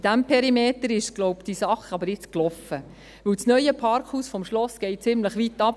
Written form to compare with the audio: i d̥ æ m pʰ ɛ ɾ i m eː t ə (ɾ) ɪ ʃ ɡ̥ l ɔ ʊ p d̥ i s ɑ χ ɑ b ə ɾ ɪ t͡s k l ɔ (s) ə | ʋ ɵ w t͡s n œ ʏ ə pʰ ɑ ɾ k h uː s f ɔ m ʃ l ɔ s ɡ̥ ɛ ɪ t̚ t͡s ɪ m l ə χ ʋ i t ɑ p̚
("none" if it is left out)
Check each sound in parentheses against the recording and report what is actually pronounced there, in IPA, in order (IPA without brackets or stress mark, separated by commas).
ɾ, f